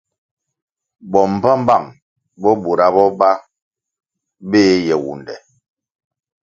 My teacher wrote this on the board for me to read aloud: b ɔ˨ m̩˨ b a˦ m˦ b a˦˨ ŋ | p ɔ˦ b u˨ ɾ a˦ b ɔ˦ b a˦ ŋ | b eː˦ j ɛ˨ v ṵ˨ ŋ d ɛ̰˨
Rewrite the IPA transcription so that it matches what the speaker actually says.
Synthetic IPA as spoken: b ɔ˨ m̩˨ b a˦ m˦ b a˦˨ ŋ | b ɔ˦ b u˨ ɾ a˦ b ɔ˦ b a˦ | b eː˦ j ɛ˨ w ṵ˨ n d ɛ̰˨